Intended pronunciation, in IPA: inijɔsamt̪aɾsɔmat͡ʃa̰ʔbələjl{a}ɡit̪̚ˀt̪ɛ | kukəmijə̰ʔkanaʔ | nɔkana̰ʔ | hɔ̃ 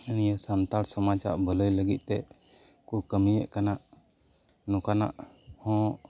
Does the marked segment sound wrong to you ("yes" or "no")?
yes